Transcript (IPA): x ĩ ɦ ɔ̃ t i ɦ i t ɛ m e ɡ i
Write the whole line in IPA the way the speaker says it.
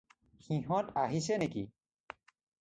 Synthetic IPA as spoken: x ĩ ɦ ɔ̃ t a ɦ i s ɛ n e k i